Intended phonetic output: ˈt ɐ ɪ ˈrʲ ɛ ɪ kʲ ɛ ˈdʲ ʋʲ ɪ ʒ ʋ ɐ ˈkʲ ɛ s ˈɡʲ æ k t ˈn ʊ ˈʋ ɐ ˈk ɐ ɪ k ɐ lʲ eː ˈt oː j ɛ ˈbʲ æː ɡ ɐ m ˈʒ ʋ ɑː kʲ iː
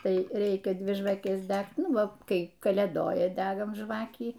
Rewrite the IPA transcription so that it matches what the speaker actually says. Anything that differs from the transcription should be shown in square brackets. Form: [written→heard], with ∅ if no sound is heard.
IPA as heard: ˈt ɐ ɪ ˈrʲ ɛ ɪ kʲ ɛ ˈdʲ ʋʲ ɪ ʒ ʋ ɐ ˈkʲ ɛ s [ˈɡʲ→ˈdʲ] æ k t ˈn ʊ ˈʋ ɐ ˈk ɐ ɪ k ɐ lʲ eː [ˈt→ˈd] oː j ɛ [ˈbʲ→ˈdʲ] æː ɡ ɐ m ˈʒ ʋ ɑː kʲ iː